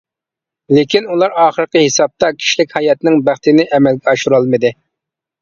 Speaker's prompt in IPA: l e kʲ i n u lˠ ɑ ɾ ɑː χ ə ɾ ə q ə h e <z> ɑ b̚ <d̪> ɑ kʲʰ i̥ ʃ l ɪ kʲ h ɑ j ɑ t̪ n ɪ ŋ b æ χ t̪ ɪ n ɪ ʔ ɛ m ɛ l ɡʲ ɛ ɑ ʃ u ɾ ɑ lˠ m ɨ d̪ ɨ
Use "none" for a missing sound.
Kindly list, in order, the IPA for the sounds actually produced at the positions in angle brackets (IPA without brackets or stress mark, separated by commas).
s, t̪